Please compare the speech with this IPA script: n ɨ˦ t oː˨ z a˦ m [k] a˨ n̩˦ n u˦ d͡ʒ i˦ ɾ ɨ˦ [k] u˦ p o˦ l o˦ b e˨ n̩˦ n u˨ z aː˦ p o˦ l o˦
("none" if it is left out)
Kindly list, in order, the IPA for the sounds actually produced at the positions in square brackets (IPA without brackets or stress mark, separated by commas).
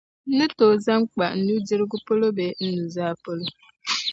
k͡p, ɡ